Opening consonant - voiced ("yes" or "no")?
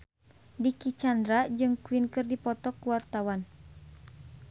yes